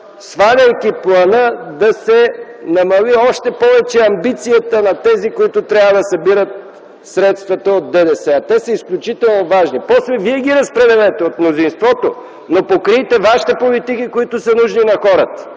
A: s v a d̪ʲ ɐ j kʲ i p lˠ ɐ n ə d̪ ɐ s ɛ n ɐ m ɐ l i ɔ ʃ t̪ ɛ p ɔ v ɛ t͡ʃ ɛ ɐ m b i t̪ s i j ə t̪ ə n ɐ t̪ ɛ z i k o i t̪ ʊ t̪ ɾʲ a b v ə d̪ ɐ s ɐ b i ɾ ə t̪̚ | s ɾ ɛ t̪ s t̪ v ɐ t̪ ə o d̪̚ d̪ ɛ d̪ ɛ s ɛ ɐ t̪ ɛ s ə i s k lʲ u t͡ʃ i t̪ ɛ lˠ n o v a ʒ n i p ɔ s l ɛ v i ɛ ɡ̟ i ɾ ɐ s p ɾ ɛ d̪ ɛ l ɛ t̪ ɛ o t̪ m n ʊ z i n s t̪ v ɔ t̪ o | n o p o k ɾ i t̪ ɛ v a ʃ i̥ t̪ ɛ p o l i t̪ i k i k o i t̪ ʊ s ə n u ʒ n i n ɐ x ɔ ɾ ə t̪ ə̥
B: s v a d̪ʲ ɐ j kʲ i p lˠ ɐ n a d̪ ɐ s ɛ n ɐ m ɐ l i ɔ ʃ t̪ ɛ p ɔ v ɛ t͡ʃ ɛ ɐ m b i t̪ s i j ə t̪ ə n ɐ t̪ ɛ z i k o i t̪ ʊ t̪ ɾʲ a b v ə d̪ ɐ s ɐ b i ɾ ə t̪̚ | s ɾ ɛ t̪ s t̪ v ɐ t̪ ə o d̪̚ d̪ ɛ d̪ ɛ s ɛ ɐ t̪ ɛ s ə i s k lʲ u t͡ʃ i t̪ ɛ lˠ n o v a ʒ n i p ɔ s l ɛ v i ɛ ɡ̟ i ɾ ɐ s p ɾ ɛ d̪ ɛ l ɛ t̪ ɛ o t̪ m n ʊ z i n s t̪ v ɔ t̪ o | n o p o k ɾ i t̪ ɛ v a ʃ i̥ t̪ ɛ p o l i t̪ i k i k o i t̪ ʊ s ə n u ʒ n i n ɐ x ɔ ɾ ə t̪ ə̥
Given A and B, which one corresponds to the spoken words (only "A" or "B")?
A